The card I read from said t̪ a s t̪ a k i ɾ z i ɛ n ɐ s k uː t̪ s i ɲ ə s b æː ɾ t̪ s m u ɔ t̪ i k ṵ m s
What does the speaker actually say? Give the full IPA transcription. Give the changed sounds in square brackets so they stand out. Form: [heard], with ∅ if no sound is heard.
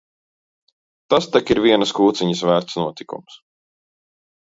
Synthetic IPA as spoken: t̪ a s t̪ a k i ɾ [v] i ɛ n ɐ s k uː t̪ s i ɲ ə s [v] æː ɾ t̪ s [n] u ɔ t̪ i k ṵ m s